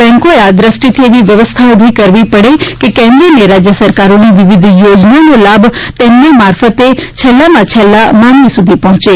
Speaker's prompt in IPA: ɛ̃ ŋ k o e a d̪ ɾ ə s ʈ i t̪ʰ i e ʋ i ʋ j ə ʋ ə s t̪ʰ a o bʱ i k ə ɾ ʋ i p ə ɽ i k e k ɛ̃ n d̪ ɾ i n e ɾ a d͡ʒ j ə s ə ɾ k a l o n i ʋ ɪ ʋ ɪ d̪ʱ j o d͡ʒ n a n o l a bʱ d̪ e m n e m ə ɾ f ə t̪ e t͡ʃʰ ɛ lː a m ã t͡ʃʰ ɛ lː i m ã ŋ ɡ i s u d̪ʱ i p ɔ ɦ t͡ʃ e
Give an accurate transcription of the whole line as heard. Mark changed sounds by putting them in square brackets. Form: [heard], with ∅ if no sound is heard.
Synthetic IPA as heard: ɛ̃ ŋ k o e a d̪ ɾ ə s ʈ i t̪ʰ i e ʋ i ʋ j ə ʋ ə s t̪ʰ a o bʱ i k ə ɾ ʋ i p ə ɽ [e] k e k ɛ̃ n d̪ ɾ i n e ɾ a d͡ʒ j ə s ə ɾ k a [ɾ] o n i ʋ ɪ ʋ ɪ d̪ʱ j o d͡ʒ n a n o l a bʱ [t̪] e m n e m [a] ɾ f ə t̪ e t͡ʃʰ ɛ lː a m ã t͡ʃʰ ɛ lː [a] m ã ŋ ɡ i s u d̪ʱ i p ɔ ɦ t͡ʃ e